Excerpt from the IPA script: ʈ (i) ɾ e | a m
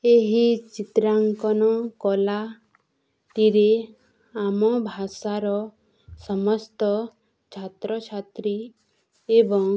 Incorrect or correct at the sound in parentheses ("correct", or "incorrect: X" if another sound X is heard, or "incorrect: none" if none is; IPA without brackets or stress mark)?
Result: correct